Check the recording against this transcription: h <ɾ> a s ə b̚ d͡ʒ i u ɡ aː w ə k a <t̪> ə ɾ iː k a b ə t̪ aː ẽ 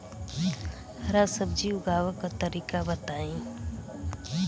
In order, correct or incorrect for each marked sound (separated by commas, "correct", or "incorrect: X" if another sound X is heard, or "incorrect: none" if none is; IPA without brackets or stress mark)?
correct, correct